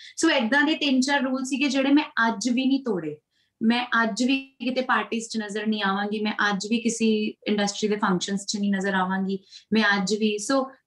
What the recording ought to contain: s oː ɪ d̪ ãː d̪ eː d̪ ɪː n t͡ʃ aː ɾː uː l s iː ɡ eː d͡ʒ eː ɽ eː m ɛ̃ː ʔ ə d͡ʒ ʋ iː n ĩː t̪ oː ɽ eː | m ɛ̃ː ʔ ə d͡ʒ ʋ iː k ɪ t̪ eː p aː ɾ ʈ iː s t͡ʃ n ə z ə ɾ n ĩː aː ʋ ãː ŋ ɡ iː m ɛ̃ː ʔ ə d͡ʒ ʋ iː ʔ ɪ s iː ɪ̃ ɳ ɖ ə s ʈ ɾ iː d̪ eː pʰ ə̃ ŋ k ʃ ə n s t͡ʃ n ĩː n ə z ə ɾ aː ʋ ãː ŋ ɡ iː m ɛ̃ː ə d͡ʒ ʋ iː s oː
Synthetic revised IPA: s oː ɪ d̪ ãː d̪ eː t̪ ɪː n t͡ʃ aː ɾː uː l s iː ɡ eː d͡ʒ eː ɽ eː m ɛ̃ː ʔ ə d͡ʒ ʋ iː n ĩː t̪ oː ɽ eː | m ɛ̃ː ʔ ə d͡ʒ ʋ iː k ɪ t̪ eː p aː ɾ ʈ iː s t͡ʃ n ə z ə ɾ n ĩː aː ʋ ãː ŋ ɡ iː m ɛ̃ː ʔ ə d͡ʒ ʋ iː k ɪ s iː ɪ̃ ɳ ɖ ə s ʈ ɾ iː d̪ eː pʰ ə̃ ŋ k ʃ ə n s t͡ʃ n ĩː n ə z ə ɾ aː ʋ ãː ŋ ɡ iː m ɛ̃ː ə d͡ʒ ʋ iː s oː